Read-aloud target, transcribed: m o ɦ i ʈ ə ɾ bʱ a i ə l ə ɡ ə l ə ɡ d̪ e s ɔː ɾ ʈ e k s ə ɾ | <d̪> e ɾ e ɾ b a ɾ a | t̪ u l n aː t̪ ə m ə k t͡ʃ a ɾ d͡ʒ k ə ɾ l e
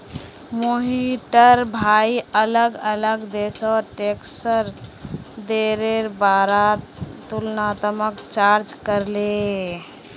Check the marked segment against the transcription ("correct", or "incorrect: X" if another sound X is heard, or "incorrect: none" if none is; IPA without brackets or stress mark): correct